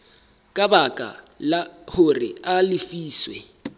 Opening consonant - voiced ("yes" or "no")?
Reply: no